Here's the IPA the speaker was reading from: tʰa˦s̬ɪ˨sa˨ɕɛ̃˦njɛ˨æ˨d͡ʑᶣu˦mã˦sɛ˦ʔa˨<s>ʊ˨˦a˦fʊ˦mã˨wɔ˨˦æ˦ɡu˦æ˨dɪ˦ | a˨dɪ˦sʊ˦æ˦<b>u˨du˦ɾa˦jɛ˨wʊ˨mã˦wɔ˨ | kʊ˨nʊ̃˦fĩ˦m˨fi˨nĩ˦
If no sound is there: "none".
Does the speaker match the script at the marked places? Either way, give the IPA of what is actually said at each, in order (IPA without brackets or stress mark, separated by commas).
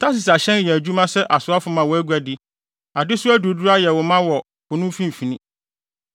s, d